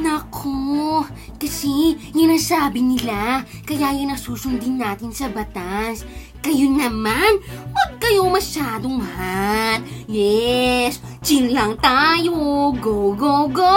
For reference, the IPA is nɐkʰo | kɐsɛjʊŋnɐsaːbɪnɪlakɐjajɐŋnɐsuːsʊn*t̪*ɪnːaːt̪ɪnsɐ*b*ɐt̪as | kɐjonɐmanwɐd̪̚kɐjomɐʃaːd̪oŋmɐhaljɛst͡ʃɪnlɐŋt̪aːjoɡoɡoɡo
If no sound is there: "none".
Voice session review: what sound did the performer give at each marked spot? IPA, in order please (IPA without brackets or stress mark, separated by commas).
d̪, b